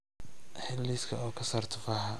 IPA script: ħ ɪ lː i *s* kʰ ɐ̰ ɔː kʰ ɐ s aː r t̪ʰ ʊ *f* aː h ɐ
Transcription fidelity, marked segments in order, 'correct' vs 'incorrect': correct, correct

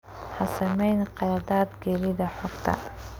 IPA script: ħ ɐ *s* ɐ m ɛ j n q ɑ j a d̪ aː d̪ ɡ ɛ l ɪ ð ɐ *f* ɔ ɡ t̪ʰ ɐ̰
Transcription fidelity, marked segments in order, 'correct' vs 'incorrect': correct, incorrect: ħ

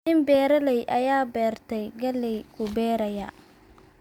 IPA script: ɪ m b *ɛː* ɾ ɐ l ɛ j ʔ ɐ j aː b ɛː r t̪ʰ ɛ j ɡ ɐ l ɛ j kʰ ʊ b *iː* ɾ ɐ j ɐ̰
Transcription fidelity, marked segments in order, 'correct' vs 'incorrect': correct, incorrect: ɛː

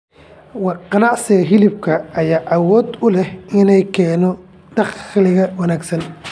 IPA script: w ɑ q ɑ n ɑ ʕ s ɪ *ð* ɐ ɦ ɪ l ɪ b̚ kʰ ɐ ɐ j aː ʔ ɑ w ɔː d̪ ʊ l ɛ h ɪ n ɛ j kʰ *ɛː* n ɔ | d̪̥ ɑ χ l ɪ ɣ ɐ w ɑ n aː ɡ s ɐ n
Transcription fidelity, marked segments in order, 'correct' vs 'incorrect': incorrect: ɣ, correct

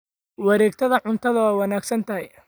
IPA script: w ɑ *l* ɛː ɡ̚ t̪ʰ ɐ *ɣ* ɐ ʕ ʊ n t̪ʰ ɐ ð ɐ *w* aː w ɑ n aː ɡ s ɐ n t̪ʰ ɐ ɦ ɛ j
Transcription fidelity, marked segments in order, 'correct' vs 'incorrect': incorrect: ɾ, incorrect: ð, correct

